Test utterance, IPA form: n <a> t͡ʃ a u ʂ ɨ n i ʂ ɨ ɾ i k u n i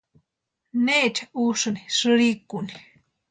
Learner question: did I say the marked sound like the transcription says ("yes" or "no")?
no